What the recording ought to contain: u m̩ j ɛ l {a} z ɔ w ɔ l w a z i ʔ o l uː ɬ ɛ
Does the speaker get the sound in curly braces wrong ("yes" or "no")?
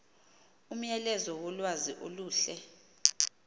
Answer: yes